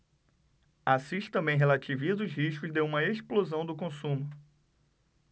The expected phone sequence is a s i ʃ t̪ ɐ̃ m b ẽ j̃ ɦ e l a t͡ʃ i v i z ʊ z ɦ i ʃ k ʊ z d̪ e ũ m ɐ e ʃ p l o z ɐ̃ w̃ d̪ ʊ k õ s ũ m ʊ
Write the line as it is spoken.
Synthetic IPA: a s i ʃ t̪ ɐ̃ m b ẽ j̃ ɦ e l a t͡ʃ i v i z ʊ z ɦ i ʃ k ʊ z d̪ e ũ m ɐ e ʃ p l o z ɐ̃ w̃ d̪ ʊ k õ s ũ m ʊ